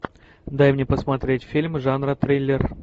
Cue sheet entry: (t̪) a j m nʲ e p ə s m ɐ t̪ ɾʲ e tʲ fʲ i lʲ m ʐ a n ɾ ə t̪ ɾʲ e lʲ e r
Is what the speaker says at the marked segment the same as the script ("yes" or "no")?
no